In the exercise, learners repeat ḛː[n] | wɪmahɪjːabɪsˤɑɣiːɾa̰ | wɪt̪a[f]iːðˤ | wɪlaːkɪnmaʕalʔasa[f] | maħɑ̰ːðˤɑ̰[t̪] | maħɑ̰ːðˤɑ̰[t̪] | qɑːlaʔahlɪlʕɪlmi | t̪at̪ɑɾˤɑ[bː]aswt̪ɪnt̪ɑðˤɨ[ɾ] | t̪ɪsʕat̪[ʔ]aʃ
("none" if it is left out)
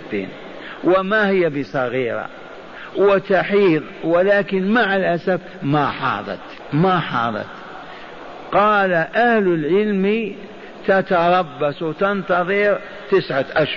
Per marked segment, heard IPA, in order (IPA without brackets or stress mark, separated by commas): n, ħ, f, t̪, t̪, bː, ɾ, ʔ